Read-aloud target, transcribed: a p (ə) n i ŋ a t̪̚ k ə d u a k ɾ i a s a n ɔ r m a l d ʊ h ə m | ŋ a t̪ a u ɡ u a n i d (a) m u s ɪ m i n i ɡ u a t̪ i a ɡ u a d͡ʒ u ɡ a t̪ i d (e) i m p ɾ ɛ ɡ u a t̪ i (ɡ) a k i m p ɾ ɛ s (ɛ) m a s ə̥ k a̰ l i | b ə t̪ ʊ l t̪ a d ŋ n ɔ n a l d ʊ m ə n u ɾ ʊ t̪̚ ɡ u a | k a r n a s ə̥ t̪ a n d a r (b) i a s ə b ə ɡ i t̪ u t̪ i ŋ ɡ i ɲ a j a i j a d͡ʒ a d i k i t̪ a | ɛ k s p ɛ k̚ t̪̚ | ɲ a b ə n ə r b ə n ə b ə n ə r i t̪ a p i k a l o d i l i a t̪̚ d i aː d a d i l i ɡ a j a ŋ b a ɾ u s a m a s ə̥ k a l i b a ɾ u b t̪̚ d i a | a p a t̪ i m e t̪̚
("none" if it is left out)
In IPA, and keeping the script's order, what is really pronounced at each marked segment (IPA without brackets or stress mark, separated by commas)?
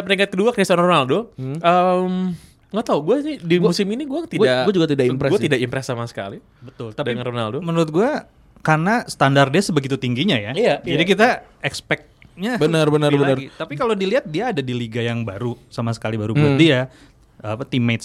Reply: ə, i, a, d, a, d